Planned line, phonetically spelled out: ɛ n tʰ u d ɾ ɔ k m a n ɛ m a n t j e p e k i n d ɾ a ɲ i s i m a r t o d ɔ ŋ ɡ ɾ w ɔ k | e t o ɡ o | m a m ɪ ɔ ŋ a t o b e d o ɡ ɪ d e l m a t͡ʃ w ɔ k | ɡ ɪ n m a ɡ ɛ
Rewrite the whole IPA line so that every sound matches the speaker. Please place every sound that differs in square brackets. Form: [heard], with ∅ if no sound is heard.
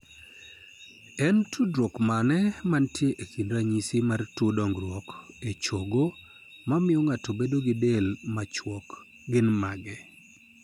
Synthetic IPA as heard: ɛ n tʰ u d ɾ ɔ k m a n ɛ m a n t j e [ʔ] e k i n d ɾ a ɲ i s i m a r t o d ɔ ŋ ɡ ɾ w ɔ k | e [t͡ʃ] o ɡ o | m a m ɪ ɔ ŋ a t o b e d o ɡ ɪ d e l m a t͡ʃ w ɔ k | ɡ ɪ n m a ɡ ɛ